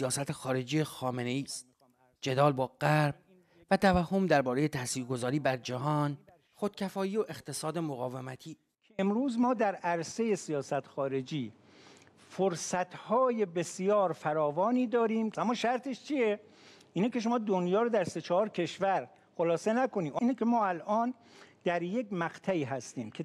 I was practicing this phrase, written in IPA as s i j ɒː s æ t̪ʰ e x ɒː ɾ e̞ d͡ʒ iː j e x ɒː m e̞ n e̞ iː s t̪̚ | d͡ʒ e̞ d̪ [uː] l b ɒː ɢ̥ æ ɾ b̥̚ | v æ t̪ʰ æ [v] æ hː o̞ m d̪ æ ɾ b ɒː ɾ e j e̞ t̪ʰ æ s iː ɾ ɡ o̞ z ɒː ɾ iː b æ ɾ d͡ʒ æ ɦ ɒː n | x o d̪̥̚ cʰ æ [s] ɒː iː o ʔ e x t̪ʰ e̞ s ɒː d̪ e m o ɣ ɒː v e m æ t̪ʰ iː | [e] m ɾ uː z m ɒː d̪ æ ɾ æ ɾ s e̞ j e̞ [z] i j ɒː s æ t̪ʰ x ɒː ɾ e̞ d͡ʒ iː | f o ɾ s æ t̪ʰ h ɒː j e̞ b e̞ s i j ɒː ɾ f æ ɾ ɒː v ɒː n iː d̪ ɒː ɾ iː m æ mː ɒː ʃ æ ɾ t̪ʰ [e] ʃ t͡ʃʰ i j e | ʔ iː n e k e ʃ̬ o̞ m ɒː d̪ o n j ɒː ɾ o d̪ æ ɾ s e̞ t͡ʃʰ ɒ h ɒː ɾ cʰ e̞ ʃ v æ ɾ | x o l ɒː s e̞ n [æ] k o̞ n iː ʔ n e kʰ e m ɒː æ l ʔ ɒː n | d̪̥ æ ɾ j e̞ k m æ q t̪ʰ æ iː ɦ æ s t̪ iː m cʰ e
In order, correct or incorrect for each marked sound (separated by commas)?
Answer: incorrect, correct, incorrect, correct, incorrect, correct, correct